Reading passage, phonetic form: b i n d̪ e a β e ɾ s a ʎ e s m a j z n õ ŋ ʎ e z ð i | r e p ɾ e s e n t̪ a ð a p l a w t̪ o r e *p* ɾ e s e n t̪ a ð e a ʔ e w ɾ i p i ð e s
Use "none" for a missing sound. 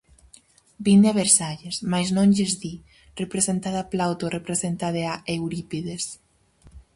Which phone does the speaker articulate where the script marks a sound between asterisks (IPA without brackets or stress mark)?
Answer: p